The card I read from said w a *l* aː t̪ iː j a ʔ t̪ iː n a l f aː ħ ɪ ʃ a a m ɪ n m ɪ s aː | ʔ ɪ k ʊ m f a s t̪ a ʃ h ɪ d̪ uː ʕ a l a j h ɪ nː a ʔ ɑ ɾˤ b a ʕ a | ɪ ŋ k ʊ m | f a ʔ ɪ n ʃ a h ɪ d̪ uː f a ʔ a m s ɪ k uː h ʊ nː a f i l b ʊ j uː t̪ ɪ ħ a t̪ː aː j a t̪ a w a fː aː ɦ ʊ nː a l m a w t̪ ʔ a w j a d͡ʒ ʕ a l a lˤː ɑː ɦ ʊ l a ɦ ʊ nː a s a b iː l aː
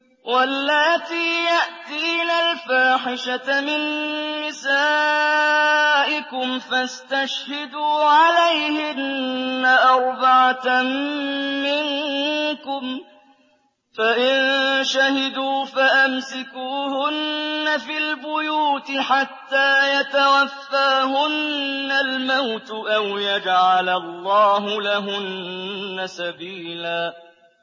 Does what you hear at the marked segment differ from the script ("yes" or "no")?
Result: yes